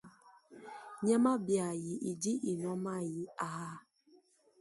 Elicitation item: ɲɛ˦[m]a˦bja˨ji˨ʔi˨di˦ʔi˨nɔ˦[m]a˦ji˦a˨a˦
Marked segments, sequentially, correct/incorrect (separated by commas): correct, correct